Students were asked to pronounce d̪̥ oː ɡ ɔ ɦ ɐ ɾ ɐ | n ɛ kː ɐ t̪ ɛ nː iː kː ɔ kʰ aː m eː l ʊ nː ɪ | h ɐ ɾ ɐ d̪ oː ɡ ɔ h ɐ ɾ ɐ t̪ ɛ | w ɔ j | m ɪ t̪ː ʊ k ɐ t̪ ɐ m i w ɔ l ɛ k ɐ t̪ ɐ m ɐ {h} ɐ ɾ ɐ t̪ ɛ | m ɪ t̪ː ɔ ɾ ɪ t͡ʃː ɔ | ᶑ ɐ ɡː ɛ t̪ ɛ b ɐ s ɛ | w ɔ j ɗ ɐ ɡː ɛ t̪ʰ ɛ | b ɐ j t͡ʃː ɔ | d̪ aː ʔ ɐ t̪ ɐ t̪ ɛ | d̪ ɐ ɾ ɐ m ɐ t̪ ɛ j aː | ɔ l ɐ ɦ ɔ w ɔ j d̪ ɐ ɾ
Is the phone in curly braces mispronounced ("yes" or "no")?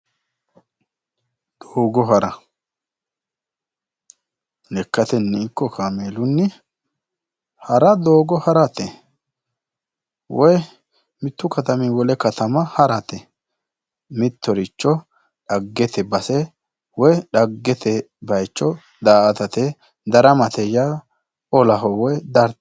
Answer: no